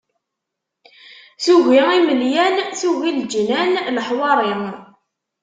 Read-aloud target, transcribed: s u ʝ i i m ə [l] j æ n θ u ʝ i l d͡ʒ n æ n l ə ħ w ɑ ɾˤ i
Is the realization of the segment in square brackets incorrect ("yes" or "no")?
no